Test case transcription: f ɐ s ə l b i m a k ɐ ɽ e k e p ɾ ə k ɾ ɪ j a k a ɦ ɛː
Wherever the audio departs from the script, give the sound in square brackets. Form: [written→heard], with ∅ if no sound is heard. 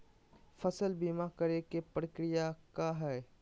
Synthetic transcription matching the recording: f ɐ s ə l b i m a k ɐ [ɽ→ɾ] e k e p ɾ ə k ɾ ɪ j a k a ɦ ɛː